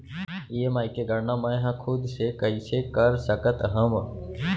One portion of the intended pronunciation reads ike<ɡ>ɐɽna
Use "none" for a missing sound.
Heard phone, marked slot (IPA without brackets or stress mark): ɡ